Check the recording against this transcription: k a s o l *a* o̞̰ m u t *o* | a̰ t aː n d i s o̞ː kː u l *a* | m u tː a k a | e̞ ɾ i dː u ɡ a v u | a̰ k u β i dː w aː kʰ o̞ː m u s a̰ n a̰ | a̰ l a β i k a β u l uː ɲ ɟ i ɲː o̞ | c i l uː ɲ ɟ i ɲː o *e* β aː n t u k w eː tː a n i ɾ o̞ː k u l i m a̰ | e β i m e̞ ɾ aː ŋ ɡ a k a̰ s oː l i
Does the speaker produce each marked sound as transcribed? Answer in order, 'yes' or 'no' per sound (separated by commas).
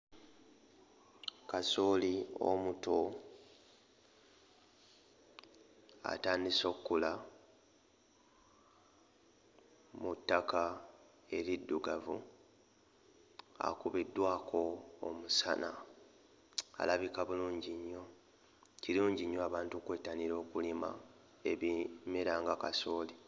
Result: no, yes, yes, no